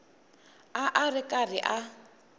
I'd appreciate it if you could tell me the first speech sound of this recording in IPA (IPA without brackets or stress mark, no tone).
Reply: a